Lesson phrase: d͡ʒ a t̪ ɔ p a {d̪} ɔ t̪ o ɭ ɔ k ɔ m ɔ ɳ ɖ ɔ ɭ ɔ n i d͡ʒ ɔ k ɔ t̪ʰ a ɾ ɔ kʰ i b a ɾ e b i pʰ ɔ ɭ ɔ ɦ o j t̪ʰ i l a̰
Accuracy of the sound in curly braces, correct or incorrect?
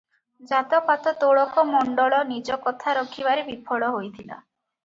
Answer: incorrect